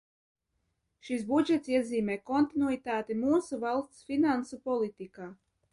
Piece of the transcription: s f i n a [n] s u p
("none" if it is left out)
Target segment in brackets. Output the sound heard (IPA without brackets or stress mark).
n